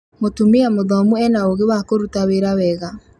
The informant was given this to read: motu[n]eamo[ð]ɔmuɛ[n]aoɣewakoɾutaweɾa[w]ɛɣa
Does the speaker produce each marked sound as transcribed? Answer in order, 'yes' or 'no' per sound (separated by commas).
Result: no, yes, yes, yes